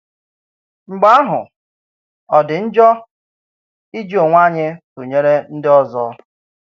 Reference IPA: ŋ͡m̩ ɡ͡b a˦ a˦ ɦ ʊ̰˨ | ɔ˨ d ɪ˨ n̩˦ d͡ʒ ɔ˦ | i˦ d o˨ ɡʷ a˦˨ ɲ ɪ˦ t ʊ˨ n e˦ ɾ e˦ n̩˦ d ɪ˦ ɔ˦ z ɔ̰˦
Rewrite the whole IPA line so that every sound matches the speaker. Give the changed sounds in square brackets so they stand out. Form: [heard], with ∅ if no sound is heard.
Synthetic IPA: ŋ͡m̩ ɡ͡b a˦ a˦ ɦ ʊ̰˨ | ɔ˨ d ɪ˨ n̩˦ d͡ʒ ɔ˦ | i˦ [d͡ʒ] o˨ [ŋʷ] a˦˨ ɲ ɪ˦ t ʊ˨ [ɲ] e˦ ɾ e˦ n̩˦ d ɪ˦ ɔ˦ z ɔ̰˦